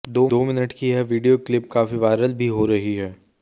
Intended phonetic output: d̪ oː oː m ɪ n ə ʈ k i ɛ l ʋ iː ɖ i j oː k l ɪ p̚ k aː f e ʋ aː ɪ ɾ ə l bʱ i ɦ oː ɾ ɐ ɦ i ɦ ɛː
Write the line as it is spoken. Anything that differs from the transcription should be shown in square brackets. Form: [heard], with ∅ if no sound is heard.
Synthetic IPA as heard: d̪ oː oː m ɪ n ə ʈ k i ɛ [∅] ʋ iː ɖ i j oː k l ɪ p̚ k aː f [i] ʋ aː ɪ ɾ ə l bʱ i ɦ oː ɾ ɐ ɦ i ɦ ɛː